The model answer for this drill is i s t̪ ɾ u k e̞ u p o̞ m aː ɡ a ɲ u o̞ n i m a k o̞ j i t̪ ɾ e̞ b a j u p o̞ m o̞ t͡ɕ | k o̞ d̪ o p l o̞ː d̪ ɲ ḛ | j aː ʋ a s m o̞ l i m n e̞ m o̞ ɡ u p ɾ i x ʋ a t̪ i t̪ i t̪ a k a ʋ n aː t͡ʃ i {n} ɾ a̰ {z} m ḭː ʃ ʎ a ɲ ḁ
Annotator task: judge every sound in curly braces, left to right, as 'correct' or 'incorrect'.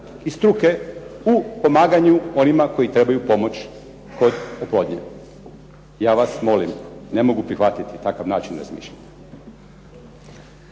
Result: correct, correct

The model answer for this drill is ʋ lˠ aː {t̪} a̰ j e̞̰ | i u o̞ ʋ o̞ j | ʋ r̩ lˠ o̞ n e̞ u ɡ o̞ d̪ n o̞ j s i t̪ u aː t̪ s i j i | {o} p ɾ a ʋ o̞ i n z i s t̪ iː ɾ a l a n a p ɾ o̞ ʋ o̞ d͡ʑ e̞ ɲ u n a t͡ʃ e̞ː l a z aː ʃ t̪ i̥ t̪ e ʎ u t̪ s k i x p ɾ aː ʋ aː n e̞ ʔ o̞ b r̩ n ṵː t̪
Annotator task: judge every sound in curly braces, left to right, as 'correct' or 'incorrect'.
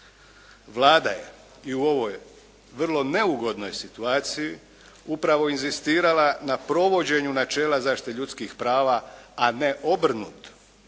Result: incorrect: d̪, incorrect: u

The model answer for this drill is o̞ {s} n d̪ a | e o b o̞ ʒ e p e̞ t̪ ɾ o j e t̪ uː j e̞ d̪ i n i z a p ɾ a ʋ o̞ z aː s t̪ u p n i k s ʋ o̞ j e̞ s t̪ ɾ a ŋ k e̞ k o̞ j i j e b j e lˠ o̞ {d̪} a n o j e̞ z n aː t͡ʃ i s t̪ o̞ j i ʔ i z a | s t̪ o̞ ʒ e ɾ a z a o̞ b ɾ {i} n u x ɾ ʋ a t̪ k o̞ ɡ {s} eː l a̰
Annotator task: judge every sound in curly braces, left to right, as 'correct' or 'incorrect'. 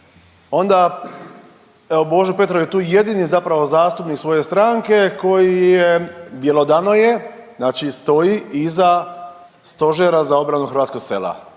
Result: incorrect: none, correct, incorrect: a, correct

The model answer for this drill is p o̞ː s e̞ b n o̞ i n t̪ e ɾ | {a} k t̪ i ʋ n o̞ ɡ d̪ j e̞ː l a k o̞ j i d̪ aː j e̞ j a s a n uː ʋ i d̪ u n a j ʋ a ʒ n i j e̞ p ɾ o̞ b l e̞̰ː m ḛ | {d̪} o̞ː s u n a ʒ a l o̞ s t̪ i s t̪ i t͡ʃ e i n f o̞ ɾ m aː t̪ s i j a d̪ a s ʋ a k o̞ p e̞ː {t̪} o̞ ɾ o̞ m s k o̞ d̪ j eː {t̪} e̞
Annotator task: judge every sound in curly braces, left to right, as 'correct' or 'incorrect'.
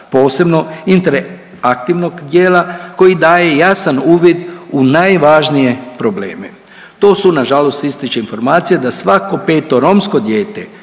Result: correct, incorrect: t̪, correct, correct

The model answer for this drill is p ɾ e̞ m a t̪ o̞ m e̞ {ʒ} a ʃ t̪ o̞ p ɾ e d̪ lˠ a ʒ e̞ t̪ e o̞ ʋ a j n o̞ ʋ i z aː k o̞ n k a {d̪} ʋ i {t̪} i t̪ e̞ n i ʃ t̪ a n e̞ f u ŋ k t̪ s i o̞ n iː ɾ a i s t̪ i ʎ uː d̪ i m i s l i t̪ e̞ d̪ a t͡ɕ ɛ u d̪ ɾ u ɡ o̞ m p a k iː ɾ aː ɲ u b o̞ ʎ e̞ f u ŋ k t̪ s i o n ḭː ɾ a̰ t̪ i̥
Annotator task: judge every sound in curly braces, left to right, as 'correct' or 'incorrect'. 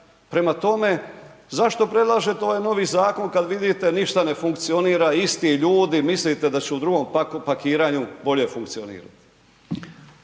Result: incorrect: z, correct, incorrect: d̪

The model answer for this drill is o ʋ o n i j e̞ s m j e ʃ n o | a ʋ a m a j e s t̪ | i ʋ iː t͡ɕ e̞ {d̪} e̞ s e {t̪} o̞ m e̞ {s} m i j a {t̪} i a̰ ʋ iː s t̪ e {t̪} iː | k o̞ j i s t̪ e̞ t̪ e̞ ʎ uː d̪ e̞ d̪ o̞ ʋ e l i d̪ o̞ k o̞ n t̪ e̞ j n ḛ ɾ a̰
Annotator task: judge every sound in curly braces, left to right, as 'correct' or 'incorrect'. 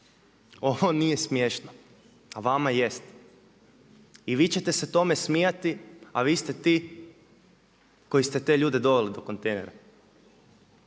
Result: incorrect: t̪, correct, correct, correct, correct

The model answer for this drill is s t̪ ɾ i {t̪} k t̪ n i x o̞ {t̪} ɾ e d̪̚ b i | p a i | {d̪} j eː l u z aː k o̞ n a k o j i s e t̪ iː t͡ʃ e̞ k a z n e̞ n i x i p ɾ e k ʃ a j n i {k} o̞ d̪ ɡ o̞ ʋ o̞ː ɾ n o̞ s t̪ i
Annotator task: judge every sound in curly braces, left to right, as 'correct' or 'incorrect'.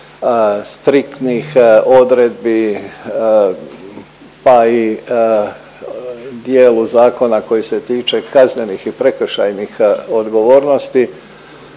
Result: incorrect: none, incorrect: d̪, correct, incorrect: x

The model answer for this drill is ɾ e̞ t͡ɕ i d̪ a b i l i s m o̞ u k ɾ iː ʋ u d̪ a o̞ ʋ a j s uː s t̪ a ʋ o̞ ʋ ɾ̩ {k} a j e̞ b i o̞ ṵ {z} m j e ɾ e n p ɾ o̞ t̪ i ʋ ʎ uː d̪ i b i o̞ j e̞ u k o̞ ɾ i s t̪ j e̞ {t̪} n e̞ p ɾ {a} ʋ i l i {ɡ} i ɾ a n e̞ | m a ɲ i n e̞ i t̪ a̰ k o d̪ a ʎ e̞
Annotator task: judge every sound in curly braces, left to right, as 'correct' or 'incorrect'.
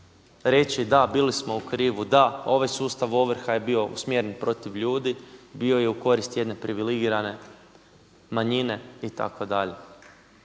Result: incorrect: x, incorrect: s, incorrect: d̪, incorrect: i, correct

